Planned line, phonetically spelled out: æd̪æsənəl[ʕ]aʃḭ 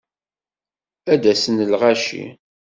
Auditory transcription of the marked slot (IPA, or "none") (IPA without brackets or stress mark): ʁ